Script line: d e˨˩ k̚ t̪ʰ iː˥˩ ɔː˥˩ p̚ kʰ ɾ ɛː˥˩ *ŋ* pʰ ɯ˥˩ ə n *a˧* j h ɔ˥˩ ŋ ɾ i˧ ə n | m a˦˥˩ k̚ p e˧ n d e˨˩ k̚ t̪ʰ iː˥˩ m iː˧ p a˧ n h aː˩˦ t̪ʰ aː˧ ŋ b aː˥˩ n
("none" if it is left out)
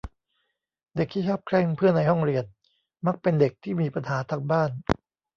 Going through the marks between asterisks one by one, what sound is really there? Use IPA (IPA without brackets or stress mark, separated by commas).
ŋ, a˧